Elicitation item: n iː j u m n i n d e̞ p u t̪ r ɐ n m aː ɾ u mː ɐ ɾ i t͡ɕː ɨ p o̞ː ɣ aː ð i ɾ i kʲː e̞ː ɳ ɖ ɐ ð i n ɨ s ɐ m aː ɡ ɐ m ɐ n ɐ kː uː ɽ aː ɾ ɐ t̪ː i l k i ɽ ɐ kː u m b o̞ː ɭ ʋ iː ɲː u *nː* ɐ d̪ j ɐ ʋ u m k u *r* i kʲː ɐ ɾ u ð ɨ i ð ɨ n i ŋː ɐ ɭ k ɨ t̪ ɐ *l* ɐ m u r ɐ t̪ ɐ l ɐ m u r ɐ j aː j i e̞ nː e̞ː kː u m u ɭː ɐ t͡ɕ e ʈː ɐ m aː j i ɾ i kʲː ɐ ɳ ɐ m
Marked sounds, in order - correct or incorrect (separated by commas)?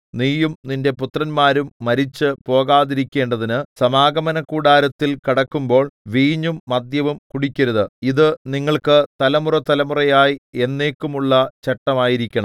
incorrect, incorrect, correct